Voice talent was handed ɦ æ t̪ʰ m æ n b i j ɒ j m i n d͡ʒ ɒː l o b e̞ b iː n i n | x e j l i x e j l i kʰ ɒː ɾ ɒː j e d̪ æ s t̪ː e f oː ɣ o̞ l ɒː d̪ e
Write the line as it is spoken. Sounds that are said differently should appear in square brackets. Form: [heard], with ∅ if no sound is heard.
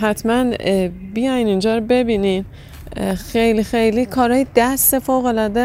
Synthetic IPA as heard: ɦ æ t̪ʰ m æ n b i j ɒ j [n] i n d͡ʒ ɒː [ɾ] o b e̞ b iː n i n | x e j l i x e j l i kʰ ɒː ɾ ɒː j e d̪ æ s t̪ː e f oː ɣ o̞ l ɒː d̪ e